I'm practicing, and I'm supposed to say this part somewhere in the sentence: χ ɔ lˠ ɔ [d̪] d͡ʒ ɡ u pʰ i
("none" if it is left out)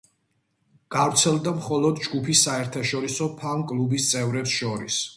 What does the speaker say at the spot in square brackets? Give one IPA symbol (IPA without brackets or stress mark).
d̪